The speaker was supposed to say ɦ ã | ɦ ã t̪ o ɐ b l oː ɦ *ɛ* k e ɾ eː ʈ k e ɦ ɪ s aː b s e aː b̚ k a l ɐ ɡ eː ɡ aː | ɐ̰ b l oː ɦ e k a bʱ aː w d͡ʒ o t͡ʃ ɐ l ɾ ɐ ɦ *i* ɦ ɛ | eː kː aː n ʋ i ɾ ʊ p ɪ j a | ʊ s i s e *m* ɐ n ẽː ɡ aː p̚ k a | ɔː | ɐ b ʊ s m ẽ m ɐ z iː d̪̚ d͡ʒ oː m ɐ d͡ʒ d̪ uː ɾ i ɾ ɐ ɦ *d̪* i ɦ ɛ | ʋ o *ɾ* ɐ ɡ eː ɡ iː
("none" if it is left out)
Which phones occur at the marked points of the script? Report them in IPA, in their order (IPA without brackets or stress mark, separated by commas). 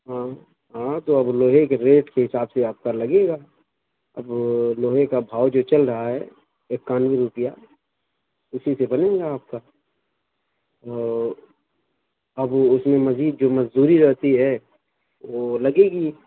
e, a, b, t̪, l